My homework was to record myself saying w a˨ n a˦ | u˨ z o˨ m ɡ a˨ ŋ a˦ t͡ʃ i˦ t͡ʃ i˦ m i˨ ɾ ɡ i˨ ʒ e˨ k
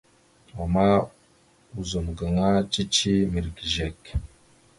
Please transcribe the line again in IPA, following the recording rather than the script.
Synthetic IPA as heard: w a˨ m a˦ | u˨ z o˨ m ɡ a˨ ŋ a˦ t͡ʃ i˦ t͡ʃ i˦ m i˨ ɾ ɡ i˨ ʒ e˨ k